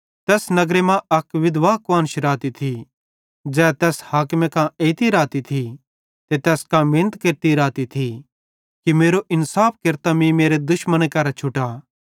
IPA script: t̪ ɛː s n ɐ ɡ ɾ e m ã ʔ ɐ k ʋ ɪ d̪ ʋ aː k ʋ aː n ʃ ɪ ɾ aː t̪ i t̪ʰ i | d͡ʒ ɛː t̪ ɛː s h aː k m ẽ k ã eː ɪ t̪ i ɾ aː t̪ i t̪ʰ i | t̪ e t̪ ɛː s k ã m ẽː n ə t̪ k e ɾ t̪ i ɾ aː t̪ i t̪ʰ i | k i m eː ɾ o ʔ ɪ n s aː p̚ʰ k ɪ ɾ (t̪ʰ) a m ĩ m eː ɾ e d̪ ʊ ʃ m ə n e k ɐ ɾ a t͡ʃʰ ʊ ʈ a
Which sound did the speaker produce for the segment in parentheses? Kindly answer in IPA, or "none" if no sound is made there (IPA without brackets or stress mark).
t̪